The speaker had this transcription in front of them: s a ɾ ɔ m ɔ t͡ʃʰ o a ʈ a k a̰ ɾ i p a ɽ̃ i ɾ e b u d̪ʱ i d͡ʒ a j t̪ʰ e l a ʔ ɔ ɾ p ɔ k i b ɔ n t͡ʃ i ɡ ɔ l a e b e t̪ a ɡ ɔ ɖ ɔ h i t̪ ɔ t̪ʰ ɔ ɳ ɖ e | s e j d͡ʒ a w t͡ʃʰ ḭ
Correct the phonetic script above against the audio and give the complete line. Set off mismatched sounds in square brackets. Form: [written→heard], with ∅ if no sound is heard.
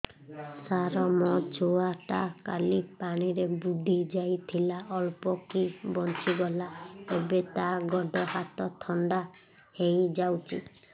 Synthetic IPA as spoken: s a ɾ ɔ m ɔ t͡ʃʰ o a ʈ a k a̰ [ɾ→l] i p a ɽ̃ i ɾ e b u d̪ʱ i d͡ʒ a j t̪ʰ [e→i] l a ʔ ɔ [ɾ→l] p ɔ k i b ɔ n t͡ʃ i ɡ ɔ l a e b e t̪ a ɡ ɔ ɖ ɔ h [i→a] t̪ ɔ t̪ʰ ɔ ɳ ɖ [e→a] | [s→h] e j d͡ʒ a w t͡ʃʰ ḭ